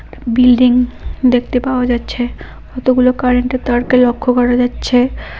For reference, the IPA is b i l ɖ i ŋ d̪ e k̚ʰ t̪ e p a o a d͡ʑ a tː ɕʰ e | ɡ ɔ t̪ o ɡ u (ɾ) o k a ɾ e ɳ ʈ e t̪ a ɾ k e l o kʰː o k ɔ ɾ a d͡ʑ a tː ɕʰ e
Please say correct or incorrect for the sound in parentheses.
incorrect: l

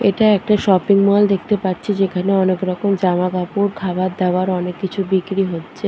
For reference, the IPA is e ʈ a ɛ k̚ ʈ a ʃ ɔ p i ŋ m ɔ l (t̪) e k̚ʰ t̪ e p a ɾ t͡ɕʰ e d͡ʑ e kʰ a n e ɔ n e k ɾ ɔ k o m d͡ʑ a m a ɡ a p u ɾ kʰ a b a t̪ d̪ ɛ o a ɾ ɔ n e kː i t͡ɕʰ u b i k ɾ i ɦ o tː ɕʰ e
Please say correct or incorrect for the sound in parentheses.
incorrect: d̪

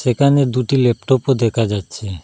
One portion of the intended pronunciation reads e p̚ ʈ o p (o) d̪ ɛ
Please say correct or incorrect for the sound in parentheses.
correct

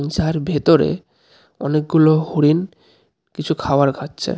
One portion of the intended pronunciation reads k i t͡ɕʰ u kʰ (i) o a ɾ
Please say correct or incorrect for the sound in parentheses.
incorrect: a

